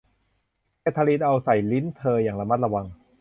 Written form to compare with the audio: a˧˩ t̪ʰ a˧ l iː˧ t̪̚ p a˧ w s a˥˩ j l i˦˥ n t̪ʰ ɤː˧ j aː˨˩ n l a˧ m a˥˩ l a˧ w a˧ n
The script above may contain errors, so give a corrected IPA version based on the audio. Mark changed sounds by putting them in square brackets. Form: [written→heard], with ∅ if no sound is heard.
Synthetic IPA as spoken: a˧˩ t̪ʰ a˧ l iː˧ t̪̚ [p→ʔ] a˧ w s [a˥˩→a˨˩] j l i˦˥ n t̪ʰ ɤː˧ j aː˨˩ [n→ŋ] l a˧ m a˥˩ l a˧ w a˧ [n→ŋ]